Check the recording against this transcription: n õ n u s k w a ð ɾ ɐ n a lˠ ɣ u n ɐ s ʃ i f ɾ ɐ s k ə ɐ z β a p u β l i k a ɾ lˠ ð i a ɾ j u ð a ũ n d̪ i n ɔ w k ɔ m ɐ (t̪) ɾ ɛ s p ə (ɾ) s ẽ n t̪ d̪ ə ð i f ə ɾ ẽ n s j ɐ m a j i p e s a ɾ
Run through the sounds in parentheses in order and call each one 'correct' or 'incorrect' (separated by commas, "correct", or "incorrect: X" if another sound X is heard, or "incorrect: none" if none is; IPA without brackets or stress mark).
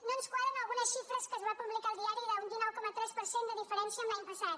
correct, correct